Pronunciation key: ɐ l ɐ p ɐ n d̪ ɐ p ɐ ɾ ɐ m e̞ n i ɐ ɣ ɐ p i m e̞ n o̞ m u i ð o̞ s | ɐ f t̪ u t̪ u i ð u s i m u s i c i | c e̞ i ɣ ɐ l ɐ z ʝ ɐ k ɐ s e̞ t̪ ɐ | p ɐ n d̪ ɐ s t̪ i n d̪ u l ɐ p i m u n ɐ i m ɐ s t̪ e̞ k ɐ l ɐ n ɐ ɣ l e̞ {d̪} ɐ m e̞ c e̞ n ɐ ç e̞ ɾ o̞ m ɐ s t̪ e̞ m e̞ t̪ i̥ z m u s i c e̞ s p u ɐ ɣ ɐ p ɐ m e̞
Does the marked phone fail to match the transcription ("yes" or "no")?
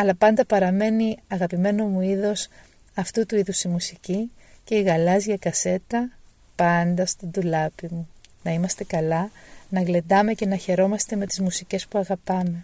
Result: no